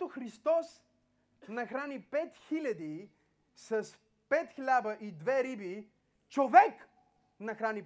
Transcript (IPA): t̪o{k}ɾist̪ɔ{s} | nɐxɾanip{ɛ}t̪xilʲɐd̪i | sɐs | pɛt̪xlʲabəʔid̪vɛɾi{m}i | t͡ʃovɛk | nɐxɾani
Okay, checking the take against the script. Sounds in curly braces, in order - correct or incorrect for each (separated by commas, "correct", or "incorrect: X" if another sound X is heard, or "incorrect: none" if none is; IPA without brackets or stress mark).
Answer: incorrect: x, correct, correct, incorrect: b